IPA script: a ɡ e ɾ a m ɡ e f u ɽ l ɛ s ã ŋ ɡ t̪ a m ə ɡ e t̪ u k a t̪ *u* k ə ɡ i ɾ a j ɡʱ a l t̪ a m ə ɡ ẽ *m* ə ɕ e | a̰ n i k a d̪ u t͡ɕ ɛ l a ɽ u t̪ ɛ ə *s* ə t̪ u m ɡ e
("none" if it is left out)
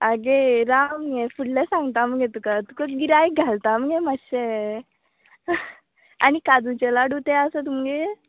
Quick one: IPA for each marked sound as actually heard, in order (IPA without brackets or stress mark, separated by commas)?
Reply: u, m, s